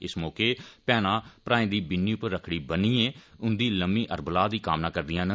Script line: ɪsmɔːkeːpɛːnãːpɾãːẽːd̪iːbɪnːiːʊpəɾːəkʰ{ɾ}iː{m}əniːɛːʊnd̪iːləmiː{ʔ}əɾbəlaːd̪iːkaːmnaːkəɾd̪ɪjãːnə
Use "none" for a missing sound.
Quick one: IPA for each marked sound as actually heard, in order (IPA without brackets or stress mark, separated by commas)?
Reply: ɽ, b, ʔ